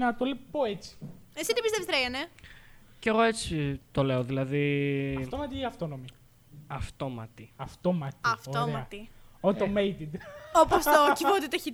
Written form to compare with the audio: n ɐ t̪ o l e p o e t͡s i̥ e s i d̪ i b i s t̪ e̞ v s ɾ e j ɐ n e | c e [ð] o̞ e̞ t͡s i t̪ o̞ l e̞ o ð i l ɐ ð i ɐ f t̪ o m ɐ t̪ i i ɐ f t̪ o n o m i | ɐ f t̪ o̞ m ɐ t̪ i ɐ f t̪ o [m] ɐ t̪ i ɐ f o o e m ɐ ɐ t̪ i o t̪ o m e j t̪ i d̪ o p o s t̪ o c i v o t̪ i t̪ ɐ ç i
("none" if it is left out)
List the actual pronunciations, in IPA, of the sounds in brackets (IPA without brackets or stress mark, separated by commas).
ɣ, m